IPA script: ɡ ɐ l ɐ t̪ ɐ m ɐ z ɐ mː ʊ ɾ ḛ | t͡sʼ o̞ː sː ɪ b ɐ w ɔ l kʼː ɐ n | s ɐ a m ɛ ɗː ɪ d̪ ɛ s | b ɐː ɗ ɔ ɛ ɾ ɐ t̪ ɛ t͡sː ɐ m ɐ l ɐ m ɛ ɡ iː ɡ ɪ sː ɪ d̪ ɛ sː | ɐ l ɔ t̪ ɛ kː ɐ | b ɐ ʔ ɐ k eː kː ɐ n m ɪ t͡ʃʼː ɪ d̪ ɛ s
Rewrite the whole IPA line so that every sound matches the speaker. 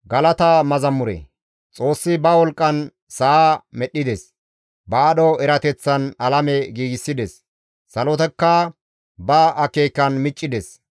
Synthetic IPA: ɡ ɐ l ɐ t̪ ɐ m ɐ z ɐ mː ʊ ɾ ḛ | t͡sʼ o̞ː sː ɪ b ɐ w ɔ l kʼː ɐ n | s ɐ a m ɛ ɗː ɪ d̪ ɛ s | b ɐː ɗ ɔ ɛ ɾ ɐ t̪ ɛ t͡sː ɐ n ɐ l ɐ m ɛ ɡ iː ɡ ɪ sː ɪ d̪ ɛ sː | ɐ l ɔ t̪ ɛ kː ɐ | b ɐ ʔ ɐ k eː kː ɐ n m ɪ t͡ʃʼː ɪ d̪ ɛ s